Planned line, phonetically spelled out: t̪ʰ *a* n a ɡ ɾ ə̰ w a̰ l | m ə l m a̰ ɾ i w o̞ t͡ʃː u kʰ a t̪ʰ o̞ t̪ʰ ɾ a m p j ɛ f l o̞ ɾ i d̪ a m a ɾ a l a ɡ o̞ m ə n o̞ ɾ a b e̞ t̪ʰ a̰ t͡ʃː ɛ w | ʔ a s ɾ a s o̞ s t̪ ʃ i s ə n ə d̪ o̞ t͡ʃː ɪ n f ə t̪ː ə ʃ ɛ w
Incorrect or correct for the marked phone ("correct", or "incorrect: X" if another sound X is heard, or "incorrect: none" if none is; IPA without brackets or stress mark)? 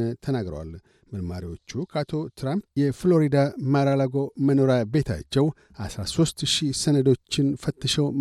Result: incorrect: ə